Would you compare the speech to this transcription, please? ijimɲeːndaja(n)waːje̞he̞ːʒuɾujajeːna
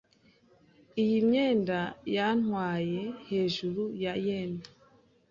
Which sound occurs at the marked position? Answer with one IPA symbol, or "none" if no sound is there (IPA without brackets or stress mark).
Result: n